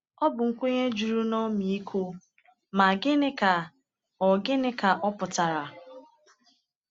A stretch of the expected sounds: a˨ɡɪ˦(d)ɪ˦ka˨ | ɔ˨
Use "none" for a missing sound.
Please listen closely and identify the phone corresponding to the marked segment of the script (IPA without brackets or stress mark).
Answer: n